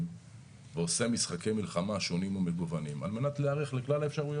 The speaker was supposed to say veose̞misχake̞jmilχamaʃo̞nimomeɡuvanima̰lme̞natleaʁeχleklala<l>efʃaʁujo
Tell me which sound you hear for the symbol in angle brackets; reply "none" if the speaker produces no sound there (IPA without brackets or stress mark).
none